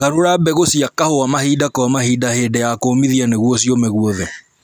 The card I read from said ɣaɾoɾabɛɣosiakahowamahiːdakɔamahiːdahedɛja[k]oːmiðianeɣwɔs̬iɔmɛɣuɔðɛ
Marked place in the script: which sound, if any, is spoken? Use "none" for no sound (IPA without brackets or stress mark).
k